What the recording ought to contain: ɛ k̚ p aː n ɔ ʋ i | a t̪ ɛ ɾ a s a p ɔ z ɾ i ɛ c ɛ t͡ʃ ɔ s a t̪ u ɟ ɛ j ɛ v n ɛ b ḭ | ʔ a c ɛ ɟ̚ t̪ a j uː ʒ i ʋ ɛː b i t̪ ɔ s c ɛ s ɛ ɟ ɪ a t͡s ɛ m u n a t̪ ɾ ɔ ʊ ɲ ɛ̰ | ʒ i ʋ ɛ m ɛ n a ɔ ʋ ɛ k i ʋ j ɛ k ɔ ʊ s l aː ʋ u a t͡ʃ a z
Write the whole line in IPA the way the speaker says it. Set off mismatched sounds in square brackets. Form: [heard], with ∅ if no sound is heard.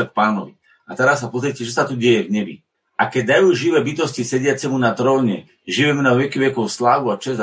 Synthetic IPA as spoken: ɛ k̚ p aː n ɔ ʋ i | a t̪ ɛ ɾ a [sː] a p ɔ z ɾ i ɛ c ɛ t͡ʃ ɔ s a t̪ u ɟ ɛ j ɛ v [ɲ] ɛ b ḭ | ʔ a [k] ɛ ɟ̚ [d̪] a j uː ʒ i ʋ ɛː b i t̪ ɔ s c [i] s ɛ ɟ ɪ a t͡s ɛ m u n a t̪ ɾ ɔ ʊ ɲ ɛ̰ | ʒ i ʋ ɛ m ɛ n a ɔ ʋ ɛ k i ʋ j ɛ k ɔ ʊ s l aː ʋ u a t͡ʃ [ɛ] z